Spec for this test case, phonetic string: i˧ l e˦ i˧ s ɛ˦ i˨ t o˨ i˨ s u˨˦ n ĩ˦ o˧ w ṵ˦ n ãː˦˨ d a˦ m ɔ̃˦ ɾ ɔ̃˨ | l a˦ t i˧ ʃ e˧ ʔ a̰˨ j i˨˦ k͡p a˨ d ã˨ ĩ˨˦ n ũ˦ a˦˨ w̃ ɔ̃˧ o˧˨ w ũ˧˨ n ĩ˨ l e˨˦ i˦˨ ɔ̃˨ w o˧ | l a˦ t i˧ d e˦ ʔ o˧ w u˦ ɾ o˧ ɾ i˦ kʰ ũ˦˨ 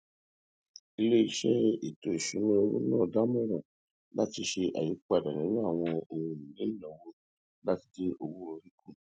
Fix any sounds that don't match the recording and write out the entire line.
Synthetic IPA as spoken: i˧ l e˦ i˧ ʃ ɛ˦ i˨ t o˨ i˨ ʃ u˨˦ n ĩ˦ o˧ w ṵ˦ n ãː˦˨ d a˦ m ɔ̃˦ ɾ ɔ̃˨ | l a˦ t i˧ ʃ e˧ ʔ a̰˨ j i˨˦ k͡p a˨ d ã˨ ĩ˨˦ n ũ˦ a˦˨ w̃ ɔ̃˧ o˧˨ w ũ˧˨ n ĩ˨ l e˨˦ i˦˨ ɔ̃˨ w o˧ | l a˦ t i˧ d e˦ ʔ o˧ w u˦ ɾ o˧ ɾ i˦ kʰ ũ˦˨